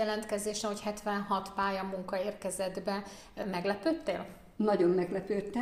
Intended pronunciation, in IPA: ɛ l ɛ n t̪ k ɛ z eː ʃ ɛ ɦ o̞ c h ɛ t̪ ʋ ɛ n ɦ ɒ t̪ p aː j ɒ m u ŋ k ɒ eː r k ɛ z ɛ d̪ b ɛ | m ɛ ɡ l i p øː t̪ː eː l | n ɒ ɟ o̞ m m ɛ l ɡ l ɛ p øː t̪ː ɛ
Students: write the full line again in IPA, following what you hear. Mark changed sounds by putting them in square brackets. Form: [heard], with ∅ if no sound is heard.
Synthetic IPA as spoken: ɛ l ɛ n t̪ k ɛ z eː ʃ ɛ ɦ o̞ c h ɛ t̪ ʋ ɛ n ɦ ɒ t̪ p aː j ɒ m u ŋ k ɒ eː r k ɛ z ɛ d̪ b ɛ | m ɛ ɡ l [ɛ] p øː t̪ː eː l | n ɒ ɟ o̞ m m ɛ [∅] ɡ l ɛ p øː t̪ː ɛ